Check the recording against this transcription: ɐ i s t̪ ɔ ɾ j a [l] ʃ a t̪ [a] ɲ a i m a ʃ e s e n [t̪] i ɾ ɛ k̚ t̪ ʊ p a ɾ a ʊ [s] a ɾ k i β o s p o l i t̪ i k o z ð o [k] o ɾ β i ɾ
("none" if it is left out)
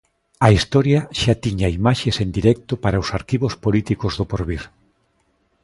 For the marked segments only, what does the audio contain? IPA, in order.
none, i, d̪, s, p

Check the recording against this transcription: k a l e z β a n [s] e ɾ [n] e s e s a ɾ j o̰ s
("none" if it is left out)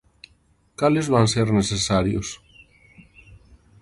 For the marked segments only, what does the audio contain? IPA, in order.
s, n

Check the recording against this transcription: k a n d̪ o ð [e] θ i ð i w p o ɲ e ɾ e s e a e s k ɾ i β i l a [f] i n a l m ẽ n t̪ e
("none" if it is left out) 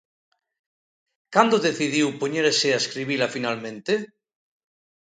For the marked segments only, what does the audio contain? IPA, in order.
e, f

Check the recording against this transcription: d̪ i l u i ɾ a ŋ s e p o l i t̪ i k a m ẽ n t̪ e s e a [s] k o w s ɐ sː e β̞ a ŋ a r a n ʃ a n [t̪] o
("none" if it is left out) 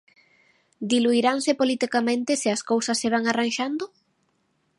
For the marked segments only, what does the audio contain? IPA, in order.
s, d̪

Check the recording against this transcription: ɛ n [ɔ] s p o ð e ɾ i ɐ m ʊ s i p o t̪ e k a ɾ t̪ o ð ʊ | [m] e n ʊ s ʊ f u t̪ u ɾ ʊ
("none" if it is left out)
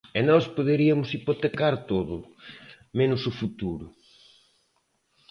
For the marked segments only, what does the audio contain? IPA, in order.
ɔ, m

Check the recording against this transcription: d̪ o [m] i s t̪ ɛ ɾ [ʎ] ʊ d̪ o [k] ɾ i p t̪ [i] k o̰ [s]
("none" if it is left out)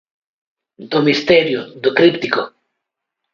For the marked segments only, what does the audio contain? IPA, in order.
m, j, k, i, none

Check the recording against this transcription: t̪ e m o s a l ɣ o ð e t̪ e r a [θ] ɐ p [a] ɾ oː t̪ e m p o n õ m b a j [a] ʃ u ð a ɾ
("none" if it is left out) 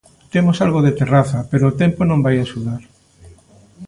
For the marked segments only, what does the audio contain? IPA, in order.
θ, e, a

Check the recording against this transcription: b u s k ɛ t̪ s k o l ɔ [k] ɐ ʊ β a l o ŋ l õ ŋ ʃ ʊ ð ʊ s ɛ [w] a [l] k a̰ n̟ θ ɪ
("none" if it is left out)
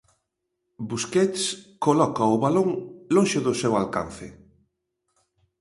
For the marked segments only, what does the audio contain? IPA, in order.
k, w, l

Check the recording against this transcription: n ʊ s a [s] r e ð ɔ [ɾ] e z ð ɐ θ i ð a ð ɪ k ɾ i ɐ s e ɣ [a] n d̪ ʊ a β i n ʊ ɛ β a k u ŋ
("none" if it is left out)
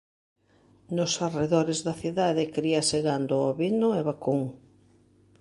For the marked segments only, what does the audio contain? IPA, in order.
none, ɾ, a

